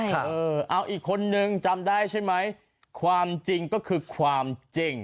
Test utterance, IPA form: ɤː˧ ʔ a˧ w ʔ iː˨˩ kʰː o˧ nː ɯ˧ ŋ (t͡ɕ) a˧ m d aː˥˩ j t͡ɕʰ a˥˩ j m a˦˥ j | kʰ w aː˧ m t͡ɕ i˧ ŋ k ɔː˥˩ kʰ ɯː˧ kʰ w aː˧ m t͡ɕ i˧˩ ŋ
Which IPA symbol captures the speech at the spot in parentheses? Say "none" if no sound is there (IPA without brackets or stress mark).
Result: t͡ɕ